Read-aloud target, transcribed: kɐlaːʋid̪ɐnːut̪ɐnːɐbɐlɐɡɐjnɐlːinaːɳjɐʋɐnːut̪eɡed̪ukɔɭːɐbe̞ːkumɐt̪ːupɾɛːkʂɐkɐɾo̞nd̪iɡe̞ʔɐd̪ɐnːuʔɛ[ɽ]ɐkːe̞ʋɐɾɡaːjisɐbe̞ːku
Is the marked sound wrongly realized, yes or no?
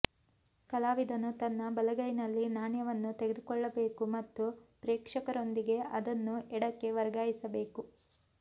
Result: no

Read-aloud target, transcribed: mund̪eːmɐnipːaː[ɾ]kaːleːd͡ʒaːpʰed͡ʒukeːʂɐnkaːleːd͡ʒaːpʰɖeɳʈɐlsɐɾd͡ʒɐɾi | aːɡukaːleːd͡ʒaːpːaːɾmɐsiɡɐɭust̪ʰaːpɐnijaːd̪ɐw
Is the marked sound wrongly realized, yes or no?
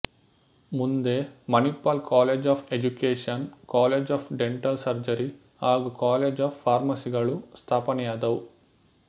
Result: yes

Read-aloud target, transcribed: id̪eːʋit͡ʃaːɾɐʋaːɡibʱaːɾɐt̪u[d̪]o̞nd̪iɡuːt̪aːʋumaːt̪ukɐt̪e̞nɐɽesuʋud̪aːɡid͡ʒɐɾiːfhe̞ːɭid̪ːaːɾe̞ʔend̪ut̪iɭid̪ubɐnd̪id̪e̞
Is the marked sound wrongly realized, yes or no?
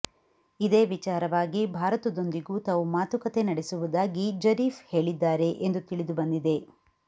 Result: no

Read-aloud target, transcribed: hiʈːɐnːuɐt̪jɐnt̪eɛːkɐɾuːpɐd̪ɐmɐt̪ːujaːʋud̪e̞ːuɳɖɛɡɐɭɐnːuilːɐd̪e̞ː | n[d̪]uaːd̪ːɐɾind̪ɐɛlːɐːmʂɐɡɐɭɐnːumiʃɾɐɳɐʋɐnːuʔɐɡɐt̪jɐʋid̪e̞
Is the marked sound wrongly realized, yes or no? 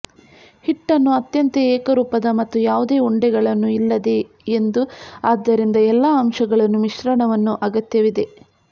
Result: no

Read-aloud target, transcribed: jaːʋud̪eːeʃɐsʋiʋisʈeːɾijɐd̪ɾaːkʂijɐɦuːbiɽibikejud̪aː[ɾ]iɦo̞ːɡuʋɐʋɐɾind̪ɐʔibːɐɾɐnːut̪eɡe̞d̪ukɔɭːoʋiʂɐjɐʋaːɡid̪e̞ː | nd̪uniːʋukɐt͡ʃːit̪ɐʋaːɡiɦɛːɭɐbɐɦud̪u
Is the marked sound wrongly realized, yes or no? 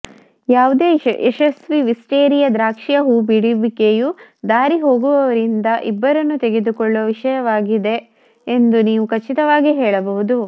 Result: no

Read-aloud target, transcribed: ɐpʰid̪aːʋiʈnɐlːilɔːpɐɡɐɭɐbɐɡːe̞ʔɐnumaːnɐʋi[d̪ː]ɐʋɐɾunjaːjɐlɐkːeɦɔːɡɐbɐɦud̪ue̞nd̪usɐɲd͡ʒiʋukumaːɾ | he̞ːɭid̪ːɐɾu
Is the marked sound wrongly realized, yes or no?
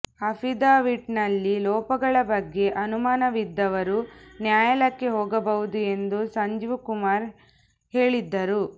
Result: no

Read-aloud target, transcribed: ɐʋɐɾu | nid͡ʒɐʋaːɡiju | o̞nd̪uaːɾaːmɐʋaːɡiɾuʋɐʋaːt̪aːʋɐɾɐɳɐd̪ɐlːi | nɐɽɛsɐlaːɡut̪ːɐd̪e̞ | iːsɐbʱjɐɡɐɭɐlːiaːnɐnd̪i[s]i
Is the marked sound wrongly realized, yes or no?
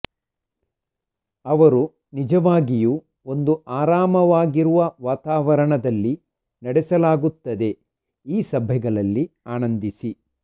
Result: no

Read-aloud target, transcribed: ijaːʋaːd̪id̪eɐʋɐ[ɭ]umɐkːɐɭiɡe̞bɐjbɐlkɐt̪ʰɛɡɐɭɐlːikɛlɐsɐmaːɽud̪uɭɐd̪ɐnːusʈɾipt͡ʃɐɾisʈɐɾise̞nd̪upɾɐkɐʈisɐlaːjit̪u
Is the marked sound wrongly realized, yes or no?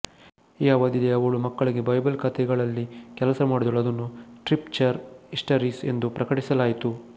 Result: no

